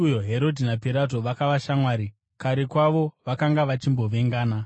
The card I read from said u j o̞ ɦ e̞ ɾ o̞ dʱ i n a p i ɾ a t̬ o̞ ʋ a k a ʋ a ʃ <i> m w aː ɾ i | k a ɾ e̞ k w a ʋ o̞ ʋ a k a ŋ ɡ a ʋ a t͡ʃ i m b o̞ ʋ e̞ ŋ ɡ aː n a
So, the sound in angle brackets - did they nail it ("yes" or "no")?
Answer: no